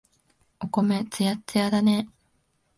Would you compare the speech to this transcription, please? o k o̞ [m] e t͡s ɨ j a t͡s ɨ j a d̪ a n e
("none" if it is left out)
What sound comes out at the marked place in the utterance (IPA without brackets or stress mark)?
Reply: m